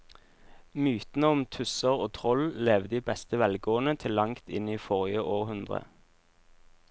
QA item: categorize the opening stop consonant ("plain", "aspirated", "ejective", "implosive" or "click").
plain